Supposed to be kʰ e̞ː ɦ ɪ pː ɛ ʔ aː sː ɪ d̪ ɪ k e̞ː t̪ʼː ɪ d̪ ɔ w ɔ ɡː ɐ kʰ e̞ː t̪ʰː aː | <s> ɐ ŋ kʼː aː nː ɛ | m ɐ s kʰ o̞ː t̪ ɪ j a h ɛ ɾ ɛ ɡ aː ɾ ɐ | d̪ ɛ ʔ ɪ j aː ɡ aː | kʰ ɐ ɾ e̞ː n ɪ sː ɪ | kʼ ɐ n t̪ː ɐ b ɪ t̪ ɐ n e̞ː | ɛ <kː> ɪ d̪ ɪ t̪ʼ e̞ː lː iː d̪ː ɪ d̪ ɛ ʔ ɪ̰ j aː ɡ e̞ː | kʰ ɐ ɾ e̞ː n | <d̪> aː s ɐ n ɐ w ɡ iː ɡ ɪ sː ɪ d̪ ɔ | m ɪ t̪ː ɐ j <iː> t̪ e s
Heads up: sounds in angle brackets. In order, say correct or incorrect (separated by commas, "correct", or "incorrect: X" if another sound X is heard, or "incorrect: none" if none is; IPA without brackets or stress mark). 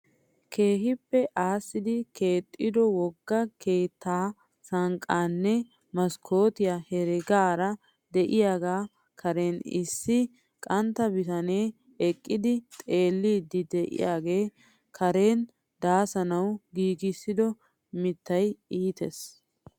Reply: correct, incorrect: kʼː, correct, correct